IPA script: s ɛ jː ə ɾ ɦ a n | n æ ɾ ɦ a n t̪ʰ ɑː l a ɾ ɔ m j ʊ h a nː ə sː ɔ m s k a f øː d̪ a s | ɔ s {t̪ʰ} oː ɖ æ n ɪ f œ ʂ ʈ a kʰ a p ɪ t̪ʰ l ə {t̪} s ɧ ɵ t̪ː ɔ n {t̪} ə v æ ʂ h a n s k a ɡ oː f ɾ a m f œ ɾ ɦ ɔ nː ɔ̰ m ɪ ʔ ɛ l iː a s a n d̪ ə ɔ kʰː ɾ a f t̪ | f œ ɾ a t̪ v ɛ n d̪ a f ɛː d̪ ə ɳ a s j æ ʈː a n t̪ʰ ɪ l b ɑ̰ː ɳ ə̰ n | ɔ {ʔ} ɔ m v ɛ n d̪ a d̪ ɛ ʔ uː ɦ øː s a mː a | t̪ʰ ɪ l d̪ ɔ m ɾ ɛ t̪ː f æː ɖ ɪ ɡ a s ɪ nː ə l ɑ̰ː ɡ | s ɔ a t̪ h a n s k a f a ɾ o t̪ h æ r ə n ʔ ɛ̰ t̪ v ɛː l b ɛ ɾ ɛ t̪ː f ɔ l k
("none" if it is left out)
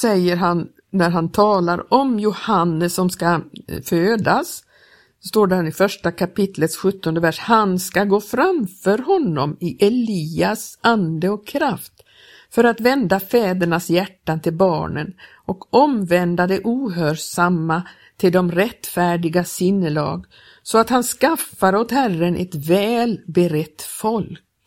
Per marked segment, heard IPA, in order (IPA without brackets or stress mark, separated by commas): t̪, t̪, d̪, k